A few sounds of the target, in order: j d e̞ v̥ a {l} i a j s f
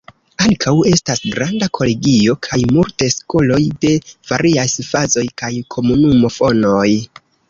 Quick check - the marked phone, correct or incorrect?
incorrect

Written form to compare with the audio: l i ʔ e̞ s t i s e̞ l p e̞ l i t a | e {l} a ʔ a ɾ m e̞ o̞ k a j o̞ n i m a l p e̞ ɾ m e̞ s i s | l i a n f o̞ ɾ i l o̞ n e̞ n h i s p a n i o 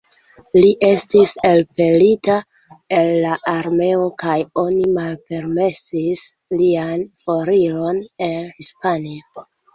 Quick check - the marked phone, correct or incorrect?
incorrect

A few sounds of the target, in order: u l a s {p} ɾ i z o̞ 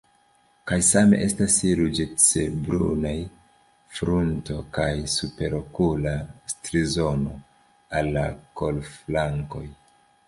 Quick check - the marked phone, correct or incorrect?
incorrect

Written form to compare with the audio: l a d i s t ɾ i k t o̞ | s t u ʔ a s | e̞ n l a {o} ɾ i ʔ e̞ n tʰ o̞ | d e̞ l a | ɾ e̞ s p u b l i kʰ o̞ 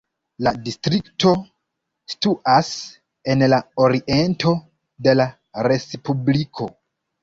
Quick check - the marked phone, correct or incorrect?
correct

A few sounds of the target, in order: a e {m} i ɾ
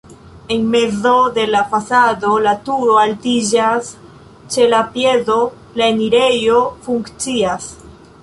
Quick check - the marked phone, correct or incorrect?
incorrect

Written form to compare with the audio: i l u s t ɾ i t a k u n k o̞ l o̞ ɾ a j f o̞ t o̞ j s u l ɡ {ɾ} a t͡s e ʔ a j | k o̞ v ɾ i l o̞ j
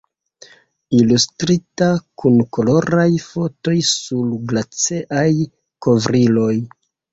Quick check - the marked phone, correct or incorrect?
incorrect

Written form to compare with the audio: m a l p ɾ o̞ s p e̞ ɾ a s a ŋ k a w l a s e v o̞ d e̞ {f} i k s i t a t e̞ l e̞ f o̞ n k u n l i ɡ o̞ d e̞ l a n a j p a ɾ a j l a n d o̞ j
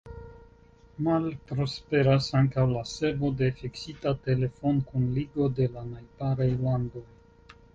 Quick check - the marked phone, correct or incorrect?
correct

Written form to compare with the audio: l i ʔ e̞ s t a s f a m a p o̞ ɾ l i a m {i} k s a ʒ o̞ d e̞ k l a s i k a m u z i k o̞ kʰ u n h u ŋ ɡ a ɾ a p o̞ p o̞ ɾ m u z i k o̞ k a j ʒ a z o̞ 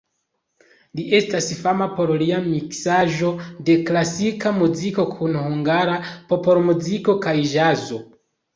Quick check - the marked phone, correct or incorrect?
correct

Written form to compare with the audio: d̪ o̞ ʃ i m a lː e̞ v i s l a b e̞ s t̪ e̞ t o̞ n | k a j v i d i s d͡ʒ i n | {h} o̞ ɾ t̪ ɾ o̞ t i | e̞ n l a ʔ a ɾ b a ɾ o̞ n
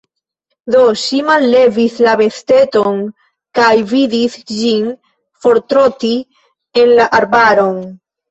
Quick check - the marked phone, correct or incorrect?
incorrect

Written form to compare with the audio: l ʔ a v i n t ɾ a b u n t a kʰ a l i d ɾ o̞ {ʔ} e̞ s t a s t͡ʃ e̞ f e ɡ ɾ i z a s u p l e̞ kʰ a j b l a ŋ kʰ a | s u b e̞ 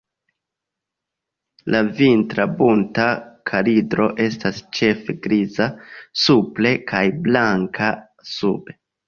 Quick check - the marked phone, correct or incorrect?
correct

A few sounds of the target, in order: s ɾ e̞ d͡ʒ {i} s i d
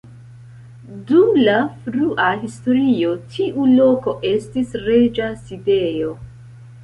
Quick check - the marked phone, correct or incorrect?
incorrect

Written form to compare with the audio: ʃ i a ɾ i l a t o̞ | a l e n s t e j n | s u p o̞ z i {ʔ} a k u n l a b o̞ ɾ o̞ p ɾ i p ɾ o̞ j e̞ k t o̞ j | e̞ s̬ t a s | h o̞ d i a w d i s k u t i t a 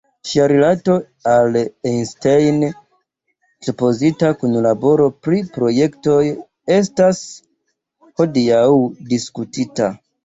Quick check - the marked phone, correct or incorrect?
incorrect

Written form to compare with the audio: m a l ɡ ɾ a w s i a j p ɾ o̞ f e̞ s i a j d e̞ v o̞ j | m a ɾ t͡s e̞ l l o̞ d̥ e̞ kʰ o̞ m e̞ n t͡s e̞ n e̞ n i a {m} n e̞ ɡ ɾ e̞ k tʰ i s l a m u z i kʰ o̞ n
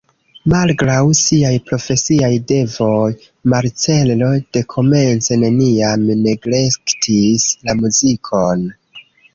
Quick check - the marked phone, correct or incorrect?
correct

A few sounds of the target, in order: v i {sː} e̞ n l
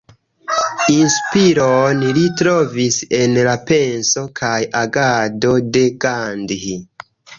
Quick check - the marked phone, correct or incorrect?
incorrect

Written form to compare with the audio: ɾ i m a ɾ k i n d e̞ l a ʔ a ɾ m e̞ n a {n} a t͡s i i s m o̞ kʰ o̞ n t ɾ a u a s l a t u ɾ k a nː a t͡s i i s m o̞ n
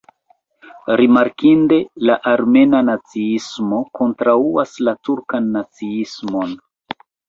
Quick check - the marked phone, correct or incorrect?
correct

